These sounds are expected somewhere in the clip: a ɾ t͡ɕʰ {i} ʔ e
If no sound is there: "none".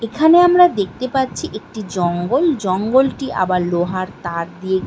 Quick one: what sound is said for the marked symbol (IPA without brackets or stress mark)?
i